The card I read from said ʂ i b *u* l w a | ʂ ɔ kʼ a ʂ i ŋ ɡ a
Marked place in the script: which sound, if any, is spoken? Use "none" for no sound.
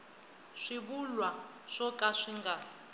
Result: u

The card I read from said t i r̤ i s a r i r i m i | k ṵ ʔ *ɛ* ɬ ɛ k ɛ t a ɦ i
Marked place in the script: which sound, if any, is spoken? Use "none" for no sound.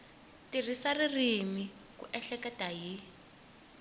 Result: ɛ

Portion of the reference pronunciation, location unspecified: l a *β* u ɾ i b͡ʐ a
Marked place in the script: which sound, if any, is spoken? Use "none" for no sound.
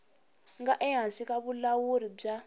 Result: w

